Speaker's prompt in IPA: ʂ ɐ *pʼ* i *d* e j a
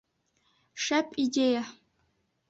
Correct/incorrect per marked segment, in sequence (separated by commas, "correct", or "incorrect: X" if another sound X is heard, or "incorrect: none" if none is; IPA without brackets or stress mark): correct, correct